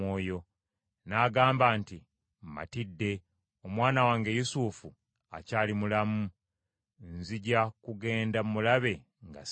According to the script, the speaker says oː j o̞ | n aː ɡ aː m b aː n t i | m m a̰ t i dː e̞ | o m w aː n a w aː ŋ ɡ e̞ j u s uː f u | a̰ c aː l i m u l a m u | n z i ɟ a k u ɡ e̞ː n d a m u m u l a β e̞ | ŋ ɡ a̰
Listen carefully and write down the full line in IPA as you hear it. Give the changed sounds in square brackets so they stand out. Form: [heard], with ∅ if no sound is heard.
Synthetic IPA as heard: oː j o̞ | n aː ɡ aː m b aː n t i | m m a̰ t i dː e̞ | o m w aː n a w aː ŋ ɡ e̞ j u s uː f u | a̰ c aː l i m u l a m u | n z i ɟ a k u ɡ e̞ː n d a m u m u l a β e̞ | ŋ ɡ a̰